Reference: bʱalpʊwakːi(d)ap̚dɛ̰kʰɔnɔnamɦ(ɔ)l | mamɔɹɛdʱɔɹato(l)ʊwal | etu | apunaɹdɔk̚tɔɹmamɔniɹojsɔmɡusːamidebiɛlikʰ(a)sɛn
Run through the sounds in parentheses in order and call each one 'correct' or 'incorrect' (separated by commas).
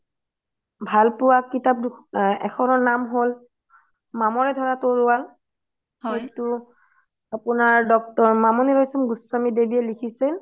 incorrect, incorrect, incorrect, incorrect